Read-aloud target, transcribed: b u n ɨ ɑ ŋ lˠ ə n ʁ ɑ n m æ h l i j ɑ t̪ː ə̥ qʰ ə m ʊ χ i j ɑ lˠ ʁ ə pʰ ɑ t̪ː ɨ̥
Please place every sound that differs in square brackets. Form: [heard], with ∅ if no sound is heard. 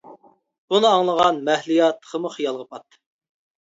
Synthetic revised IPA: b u n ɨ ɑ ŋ lˠ ə [∅] ʁ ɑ n m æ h l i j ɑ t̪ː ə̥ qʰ ə m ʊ χ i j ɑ lˠ ʁ ə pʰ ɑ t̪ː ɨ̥